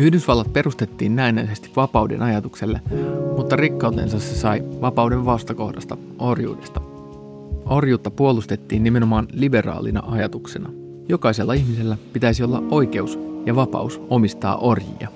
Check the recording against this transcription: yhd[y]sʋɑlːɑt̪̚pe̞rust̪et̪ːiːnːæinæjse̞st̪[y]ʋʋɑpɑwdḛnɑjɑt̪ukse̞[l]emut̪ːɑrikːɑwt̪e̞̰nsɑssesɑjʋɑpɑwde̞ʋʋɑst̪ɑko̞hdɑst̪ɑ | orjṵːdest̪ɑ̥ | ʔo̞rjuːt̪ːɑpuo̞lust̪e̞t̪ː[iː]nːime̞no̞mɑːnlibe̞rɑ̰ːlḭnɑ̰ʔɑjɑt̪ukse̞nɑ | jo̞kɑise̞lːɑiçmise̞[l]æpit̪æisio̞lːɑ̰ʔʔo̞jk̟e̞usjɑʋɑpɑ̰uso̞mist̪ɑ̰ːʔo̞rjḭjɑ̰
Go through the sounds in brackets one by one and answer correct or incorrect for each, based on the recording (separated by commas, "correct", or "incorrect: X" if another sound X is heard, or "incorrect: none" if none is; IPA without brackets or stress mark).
correct, incorrect: i, incorrect: lː, correct, incorrect: lː